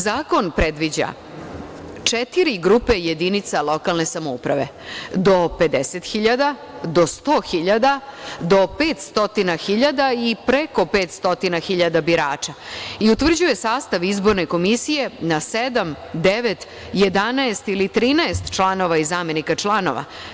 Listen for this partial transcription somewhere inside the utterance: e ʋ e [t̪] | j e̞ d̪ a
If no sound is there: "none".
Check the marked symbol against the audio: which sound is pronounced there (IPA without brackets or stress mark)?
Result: t̪